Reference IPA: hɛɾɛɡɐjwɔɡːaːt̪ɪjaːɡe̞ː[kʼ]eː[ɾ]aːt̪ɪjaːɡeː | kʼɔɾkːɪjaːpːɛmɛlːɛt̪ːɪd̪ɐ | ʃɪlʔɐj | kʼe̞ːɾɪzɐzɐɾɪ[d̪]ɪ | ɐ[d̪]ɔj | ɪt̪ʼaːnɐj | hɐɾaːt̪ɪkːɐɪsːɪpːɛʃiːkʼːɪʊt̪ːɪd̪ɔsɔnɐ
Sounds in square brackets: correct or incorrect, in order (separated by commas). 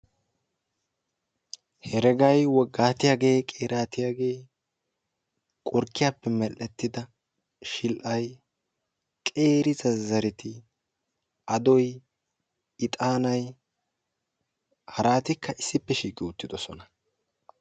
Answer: correct, correct, incorrect, correct